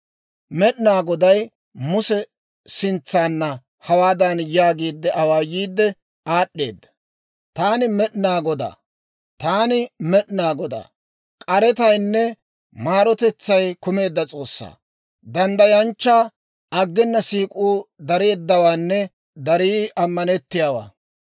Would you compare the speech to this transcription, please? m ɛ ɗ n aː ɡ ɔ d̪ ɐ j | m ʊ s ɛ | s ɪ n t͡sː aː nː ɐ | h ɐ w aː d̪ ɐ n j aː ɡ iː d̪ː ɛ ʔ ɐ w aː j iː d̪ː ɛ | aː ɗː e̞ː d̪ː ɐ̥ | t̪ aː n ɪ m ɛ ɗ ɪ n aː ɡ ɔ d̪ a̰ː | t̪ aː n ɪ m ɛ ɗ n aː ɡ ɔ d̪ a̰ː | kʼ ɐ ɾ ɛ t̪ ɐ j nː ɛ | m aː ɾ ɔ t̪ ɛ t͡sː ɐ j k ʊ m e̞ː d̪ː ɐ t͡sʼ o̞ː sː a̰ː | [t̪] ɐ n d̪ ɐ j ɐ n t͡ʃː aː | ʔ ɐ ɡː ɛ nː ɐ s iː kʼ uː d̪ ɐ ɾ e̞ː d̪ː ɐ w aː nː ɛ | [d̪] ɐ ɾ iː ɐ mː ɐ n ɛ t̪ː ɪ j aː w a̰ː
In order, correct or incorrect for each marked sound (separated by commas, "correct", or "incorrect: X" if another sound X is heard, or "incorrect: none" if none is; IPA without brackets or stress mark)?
incorrect: d̪, correct